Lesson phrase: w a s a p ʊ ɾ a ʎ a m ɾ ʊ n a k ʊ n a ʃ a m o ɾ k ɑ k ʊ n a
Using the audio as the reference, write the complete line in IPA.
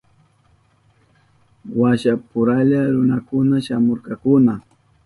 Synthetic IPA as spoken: w a ʃ a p ʊ ɾ a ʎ a ɾ ʊ n a k ʊ n a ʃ a m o ɾ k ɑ k ʊ n a